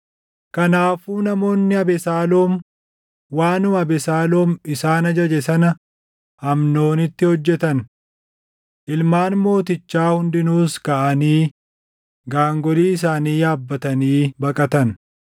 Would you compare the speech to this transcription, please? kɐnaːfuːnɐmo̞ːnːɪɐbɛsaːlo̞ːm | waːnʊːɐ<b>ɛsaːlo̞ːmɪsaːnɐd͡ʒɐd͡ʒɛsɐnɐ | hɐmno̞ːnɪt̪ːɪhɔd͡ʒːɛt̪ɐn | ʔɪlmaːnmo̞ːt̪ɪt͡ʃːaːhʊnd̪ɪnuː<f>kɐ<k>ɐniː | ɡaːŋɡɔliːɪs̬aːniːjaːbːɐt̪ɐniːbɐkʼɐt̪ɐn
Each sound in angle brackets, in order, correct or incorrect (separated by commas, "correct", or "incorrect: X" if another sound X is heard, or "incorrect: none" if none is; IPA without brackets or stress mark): correct, incorrect: s, incorrect: ʔ